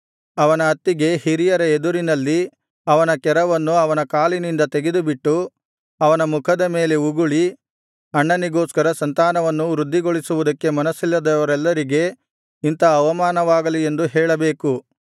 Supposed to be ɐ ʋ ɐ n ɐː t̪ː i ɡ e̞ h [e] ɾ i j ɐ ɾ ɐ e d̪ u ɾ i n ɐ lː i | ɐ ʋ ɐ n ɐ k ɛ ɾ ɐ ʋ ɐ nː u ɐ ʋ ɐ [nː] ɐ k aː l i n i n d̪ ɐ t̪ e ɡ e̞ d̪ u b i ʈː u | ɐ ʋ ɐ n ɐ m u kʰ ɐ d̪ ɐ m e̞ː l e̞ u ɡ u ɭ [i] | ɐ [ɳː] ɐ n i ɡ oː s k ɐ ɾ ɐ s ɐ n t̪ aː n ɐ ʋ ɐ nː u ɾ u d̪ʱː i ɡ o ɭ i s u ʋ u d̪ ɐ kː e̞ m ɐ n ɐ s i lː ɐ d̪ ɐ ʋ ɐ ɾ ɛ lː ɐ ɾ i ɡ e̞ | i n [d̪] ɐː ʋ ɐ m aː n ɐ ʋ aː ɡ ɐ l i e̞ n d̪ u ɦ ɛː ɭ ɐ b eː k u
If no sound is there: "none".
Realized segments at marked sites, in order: i, n, i, ɳː, t̪

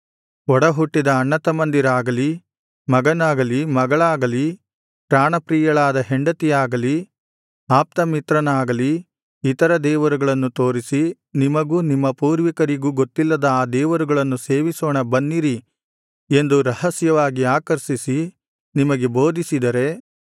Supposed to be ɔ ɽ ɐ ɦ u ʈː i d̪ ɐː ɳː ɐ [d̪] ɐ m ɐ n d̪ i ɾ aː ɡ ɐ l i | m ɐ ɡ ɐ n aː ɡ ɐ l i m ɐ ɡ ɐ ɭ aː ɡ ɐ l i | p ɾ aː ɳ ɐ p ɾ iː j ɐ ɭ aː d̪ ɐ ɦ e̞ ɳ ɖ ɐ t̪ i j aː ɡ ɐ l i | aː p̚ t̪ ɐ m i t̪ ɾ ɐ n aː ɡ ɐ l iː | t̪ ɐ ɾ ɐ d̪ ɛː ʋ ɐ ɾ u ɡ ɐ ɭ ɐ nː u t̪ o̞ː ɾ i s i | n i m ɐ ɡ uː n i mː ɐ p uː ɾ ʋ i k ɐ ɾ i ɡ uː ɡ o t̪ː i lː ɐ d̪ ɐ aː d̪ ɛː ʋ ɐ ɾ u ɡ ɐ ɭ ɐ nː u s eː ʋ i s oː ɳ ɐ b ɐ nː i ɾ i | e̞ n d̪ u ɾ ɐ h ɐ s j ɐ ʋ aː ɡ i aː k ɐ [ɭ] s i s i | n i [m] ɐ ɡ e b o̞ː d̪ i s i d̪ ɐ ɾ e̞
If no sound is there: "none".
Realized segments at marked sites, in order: t̪, ɾ, m

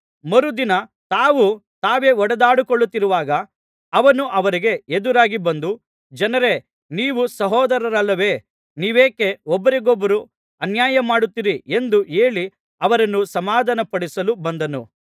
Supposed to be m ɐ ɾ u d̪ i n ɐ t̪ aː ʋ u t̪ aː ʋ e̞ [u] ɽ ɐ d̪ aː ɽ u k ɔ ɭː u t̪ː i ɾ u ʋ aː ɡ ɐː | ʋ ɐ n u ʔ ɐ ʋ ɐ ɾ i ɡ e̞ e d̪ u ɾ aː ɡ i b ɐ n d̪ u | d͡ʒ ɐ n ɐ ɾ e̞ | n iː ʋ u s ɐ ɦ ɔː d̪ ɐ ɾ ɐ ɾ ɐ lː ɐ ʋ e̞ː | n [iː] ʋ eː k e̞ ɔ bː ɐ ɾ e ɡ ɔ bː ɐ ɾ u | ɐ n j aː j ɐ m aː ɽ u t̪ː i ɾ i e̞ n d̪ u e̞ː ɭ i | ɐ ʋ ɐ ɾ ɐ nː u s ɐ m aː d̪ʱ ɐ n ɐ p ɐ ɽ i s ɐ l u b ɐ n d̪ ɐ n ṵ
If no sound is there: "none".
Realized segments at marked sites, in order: ɔ, iː

